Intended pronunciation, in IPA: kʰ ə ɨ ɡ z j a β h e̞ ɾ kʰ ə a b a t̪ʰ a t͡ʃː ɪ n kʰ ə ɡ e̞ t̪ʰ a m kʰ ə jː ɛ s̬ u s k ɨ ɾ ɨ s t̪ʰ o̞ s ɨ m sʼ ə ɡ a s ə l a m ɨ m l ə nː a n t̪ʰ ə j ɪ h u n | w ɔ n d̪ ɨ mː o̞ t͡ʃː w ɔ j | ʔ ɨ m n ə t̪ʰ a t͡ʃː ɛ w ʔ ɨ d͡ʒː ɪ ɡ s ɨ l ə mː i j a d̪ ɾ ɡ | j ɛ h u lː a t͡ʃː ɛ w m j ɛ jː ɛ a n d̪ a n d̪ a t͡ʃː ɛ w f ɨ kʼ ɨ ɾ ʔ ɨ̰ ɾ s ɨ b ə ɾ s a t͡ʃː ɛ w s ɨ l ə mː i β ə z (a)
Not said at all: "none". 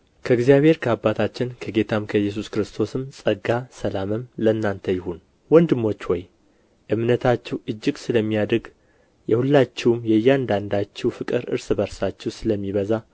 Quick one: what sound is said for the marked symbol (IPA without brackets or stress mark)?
a